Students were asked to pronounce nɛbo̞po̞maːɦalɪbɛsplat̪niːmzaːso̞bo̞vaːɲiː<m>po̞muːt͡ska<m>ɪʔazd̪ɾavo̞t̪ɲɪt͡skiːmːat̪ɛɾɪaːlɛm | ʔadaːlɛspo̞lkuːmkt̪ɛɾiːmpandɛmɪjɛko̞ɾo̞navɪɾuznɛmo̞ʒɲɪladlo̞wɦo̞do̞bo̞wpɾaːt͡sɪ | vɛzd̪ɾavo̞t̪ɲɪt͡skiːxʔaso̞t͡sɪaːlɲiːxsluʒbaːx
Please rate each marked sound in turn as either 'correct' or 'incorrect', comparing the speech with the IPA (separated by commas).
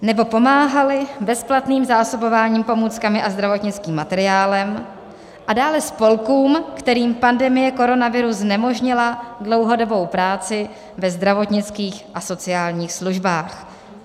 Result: correct, correct